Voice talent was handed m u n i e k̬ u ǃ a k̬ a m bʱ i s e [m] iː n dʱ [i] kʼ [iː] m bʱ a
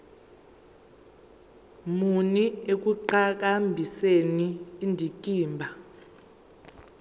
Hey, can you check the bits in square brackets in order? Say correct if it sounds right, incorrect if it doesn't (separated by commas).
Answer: incorrect, correct, correct